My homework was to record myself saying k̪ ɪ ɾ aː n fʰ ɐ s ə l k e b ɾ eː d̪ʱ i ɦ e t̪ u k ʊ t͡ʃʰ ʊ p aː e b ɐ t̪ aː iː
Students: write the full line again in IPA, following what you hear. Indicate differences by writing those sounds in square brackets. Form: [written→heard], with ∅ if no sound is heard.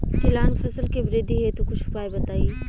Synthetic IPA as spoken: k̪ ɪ [ɾ→l] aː n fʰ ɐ s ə l k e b ɾ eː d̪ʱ i ɦ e t̪ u k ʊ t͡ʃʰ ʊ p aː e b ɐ t̪ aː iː